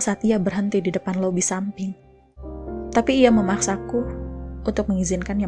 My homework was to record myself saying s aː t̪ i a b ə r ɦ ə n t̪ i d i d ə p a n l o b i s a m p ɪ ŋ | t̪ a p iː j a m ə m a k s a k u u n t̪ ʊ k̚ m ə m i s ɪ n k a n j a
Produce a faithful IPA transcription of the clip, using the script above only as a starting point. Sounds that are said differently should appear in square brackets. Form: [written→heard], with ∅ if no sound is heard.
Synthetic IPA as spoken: s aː t̪ i a b ə r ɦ ə n t̪ i d i d ə p a n l o b i s a m p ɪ ŋ | t̪ a p iː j a m ə m a k s a k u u n t̪ ʊ k̚ m ə [m→ŋ] i [s→z] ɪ n k a n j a